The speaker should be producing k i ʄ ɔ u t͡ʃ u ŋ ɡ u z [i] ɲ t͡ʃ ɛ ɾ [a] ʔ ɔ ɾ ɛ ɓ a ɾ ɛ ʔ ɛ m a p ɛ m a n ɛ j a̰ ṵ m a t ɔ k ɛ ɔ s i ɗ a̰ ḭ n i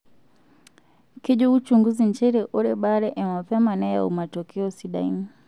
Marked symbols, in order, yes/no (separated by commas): yes, no